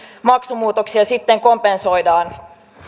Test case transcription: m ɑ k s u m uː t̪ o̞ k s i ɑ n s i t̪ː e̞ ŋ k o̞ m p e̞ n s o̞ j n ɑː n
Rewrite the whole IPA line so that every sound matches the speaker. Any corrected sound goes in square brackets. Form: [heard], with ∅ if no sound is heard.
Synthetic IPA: m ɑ k s u m uː t̪ o̞ k s i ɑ [∅] s i t̪ː e̞ ŋ k o̞ m p e̞ n s o̞ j [d] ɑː n